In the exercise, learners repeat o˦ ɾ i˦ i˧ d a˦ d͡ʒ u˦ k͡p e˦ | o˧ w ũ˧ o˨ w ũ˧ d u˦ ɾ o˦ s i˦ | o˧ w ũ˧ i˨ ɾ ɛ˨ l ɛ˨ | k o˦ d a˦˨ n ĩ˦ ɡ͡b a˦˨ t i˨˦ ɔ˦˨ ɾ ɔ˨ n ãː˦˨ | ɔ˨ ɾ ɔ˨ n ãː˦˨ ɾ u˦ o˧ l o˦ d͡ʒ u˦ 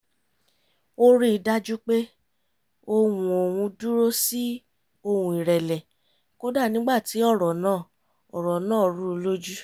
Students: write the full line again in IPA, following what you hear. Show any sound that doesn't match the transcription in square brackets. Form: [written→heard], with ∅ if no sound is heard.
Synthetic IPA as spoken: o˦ ɾ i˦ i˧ d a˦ d͡ʒ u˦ k͡p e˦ | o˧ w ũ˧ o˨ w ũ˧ d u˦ ɾ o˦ s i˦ | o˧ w ũ˧ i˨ ɾ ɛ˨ l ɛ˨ | k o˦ d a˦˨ n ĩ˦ ɡ͡b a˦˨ t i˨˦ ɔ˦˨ ɾ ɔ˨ n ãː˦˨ | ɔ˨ ɾ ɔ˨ n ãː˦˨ ɾ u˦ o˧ l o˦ d͡ʒ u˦